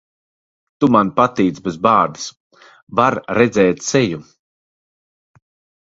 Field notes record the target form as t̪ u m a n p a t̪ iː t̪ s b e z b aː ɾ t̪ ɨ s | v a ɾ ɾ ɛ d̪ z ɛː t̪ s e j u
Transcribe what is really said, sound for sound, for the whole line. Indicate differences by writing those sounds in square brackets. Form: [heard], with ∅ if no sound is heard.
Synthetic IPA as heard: t̪ u m a n p a t̪ iː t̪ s b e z b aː ɾ [d̪] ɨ s | v a ɾ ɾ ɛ d̪ z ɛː t̪ s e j u